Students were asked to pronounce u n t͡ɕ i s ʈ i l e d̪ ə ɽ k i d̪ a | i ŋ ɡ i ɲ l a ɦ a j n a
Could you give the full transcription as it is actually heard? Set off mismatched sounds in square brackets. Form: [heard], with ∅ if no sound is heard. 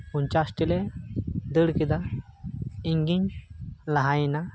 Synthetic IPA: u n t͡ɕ [a] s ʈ i l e d̪ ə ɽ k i d̪ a | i ŋ ɡ i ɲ l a ɦ a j n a